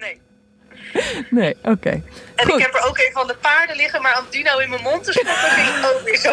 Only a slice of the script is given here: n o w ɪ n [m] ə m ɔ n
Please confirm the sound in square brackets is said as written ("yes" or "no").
yes